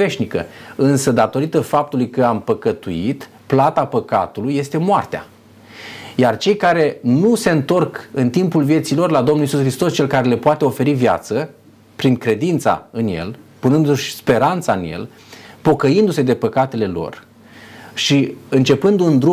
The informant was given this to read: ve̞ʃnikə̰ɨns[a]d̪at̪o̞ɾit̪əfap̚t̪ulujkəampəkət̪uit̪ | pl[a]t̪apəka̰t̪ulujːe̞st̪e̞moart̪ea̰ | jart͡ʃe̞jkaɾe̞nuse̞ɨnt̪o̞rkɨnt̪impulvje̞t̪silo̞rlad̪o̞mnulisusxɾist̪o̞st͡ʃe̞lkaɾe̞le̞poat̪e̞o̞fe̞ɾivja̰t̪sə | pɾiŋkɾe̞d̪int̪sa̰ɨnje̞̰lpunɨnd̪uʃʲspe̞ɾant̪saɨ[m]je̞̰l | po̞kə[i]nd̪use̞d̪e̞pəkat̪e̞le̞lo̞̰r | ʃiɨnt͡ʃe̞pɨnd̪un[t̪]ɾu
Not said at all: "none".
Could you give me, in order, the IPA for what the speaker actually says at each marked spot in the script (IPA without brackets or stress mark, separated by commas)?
ə, a, n, i, d̪